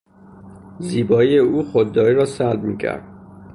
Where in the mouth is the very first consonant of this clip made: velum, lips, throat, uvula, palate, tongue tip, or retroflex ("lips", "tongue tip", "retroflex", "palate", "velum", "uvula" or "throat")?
tongue tip